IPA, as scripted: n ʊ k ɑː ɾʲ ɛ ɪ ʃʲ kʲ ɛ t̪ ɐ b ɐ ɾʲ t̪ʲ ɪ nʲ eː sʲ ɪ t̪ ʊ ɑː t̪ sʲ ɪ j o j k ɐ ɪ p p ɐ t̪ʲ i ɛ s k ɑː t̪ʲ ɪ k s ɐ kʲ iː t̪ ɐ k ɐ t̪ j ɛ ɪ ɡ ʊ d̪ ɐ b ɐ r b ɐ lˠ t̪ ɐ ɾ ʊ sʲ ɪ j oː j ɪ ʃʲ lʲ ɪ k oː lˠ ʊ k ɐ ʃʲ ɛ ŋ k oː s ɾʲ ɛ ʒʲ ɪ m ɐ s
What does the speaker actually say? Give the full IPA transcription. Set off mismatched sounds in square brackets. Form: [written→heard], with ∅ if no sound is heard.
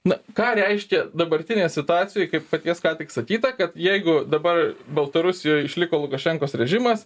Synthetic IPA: n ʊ k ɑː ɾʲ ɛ ɪ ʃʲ kʲ ɛ [t̪→d̪] ɐ b ɐ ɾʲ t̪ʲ ɪ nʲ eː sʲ ɪ t̪ ʊ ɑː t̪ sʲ ɪ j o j k ɐ ɪ p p ɐ t̪ʲ i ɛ s k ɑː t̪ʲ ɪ k s ɐ kʲ iː t̪ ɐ k ɐ t̪ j ɛ ɪ ɡ ʊ d̪ ɐ b ɐ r b ɐ lˠ t̪ ɐ ɾ ʊ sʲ ɪ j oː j ɪ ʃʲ lʲ ɪ k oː lˠ ʊ k ɐ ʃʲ ɛ ŋ k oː s ɾʲ ɛ ʒʲ ɪ m ɐ s